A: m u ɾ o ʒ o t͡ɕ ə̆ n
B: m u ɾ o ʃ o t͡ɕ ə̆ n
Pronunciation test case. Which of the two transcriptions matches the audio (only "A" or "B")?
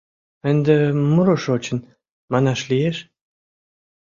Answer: B